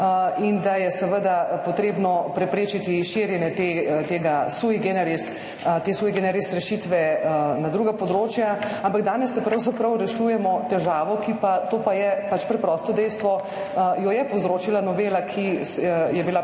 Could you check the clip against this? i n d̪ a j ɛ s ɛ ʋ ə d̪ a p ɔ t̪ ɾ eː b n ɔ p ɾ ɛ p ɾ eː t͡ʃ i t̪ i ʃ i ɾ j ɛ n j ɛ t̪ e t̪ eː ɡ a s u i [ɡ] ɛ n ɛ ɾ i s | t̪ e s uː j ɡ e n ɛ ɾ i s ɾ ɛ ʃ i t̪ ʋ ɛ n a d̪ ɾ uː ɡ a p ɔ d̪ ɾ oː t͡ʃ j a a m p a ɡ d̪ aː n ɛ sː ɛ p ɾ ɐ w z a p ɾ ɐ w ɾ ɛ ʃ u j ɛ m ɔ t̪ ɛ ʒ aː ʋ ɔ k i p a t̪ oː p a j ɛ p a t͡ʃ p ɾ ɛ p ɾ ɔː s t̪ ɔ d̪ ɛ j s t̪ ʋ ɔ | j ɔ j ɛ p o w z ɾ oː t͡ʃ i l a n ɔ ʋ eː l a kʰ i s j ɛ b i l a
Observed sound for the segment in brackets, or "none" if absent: ɡ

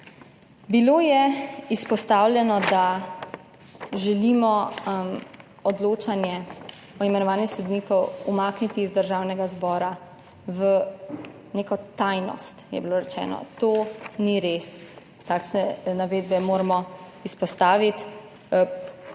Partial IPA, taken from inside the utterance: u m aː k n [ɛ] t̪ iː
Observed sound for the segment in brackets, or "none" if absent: i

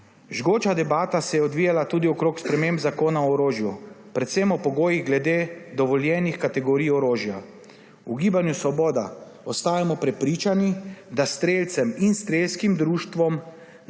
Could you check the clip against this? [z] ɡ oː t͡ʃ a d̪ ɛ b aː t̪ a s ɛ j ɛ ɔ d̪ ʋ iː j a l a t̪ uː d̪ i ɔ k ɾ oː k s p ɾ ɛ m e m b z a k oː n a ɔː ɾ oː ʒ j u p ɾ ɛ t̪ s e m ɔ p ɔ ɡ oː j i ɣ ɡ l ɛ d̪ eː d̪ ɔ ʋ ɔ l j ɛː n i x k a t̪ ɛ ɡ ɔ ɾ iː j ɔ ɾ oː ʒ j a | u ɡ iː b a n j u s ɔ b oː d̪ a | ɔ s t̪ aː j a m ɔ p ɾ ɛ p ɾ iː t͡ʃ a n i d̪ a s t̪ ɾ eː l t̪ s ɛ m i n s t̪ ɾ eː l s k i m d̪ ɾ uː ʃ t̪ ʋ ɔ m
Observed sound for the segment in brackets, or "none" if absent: ʒ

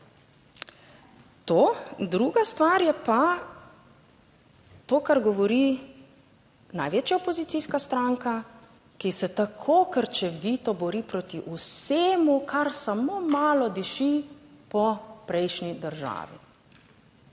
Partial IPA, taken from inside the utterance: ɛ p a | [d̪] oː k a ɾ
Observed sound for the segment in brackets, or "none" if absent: t̪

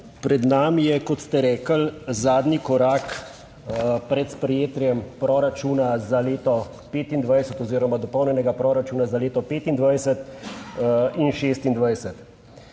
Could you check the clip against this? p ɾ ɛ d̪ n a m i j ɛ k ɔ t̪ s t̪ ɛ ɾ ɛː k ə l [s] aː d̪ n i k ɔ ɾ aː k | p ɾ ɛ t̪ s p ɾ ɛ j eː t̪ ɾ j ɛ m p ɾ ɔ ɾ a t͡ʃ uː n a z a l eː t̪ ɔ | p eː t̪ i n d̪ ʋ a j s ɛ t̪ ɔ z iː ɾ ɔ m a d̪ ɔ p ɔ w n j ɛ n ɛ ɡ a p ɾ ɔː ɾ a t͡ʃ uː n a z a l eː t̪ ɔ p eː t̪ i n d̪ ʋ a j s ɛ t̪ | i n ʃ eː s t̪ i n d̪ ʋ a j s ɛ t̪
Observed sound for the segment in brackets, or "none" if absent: z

